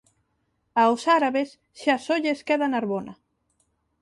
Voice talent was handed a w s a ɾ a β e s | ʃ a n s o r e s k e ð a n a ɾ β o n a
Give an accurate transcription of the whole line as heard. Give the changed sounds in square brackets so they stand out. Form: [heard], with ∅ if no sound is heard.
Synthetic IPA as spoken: a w s a ɾ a β e s | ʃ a [∅] s o [ʎ] e s k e ð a n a ɾ β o n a